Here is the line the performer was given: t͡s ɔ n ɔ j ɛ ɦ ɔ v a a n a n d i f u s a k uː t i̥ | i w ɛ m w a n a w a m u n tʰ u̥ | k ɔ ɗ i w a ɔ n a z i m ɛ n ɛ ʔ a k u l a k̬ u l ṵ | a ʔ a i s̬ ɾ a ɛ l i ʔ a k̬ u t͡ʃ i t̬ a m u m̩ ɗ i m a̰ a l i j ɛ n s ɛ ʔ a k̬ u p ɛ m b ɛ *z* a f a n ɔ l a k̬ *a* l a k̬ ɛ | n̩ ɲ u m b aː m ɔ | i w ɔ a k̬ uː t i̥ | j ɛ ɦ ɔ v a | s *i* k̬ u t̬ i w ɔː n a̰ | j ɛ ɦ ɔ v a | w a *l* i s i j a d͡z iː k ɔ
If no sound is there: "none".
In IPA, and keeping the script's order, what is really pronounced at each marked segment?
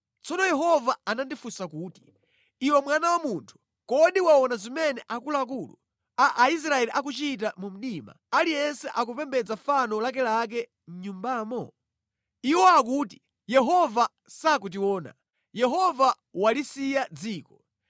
d͡z, ɛ, a, l

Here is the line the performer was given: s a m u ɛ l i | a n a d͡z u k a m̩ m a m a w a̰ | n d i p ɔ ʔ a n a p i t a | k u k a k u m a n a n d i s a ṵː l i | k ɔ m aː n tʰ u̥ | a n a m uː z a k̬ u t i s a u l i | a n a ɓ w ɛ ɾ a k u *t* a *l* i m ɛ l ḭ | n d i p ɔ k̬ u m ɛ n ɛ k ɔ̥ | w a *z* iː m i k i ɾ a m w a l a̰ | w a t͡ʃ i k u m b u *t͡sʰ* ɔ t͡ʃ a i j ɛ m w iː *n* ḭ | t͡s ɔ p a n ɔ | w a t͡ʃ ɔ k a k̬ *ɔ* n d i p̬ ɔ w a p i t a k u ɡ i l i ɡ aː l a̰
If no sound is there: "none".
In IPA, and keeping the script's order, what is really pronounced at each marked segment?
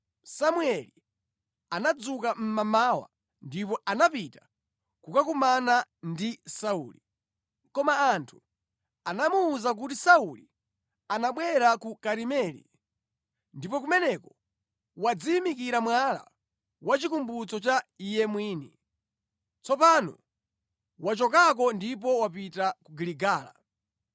k, ɾ, d͡z, t͡s, n, ɔ

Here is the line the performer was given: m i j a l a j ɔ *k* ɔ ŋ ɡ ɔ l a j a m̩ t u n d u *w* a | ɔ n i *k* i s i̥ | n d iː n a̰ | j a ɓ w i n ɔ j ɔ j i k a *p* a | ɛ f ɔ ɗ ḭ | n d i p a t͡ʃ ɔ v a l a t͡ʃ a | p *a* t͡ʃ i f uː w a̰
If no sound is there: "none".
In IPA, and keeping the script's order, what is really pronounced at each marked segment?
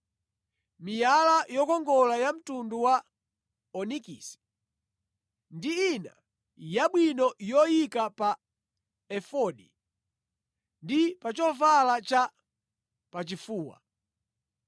k, w, k, p, a

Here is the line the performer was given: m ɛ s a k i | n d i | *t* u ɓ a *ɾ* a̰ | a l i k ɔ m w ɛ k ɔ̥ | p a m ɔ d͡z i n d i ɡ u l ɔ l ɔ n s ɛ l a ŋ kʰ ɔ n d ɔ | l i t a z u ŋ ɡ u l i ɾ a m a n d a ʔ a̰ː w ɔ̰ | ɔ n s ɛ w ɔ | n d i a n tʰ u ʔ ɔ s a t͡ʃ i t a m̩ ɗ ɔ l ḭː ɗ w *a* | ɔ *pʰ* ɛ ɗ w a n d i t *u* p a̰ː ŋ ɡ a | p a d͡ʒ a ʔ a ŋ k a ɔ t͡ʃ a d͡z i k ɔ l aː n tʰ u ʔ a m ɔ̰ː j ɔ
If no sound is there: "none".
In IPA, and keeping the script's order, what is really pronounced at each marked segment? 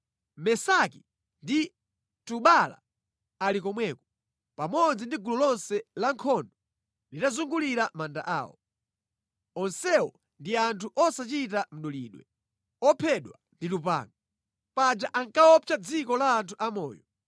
t, l, ɛ, pʰ, u

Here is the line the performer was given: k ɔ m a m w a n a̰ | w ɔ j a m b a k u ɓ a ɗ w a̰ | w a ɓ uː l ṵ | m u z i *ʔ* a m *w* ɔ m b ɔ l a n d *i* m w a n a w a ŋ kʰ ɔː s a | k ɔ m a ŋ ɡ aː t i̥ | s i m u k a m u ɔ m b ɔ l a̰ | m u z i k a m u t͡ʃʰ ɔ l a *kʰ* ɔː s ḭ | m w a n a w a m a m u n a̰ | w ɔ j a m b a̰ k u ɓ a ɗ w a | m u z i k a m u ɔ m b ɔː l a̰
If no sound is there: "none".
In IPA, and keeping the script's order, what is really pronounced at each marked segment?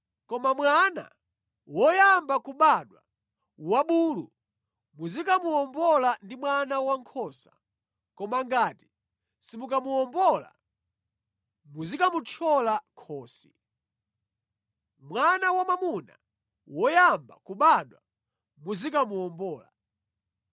k, u, i, kʰ

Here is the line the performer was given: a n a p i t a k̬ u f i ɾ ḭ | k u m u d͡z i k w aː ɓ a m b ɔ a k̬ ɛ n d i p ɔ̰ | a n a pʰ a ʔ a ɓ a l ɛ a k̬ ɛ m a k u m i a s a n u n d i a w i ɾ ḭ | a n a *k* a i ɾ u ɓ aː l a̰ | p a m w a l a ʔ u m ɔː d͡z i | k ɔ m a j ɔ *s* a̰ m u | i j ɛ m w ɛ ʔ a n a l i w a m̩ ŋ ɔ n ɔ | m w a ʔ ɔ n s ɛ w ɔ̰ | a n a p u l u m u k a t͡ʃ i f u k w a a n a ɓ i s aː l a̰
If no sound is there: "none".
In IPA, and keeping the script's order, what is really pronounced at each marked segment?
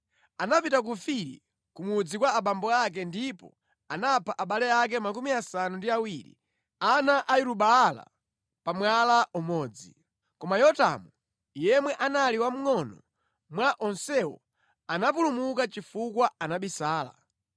ʔ, t

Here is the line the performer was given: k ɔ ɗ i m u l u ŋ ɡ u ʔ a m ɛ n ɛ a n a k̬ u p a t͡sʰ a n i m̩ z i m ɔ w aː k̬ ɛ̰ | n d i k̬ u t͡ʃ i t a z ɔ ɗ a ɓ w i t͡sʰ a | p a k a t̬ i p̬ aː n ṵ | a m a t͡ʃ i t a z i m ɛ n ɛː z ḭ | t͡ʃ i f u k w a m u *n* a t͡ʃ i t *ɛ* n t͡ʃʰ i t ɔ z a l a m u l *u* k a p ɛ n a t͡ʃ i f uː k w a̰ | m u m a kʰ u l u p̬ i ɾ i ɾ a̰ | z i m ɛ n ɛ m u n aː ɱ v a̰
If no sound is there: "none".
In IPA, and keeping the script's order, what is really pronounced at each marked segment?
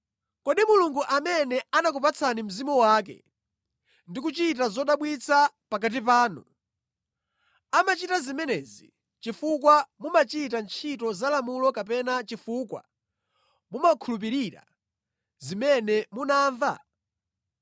m, a, ɔ

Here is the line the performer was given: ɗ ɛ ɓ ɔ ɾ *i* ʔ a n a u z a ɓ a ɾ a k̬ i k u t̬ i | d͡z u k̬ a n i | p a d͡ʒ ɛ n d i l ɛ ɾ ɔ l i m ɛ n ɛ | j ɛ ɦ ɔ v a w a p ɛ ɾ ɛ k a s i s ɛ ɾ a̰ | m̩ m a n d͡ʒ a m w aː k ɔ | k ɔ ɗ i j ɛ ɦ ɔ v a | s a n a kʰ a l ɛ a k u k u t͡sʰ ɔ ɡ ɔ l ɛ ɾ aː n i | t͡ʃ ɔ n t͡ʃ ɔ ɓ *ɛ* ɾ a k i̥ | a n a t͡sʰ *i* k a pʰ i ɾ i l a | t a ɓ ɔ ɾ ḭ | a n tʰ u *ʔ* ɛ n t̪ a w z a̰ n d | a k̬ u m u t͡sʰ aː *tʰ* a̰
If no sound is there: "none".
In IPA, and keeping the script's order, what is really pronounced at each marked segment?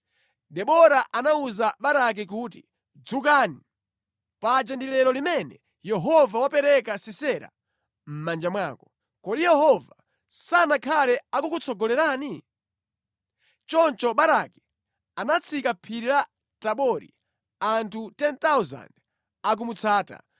a, a, i, t, t

